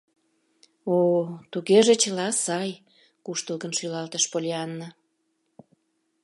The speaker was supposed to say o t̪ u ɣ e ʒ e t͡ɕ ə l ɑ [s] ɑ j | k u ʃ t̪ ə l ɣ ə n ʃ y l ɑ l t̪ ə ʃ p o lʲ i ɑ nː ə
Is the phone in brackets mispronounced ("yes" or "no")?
no